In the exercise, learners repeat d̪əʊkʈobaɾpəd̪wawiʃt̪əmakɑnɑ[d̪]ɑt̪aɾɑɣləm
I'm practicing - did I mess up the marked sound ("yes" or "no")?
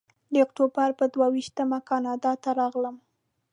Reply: no